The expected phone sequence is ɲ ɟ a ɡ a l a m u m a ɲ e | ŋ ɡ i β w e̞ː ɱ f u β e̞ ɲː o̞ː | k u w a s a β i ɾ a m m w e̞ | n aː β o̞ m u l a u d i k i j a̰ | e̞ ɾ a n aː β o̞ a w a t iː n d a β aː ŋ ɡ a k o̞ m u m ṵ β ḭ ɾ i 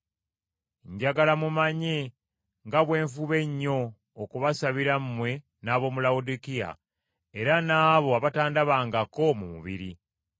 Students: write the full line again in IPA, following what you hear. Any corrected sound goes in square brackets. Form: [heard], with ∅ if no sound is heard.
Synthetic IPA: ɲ ɟ a ɡ a l a m u m a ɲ e | ŋ ɡ [a] β w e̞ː ɱ f u β e̞ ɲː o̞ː | k u [β] a s a β i ɾ a m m w e̞ | n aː β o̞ m u l a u d i k i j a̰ | e̞ ɾ a n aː β o̞ a [β] a t [aː] n d a β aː ŋ ɡ a k o̞ m u m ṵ β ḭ ɾ i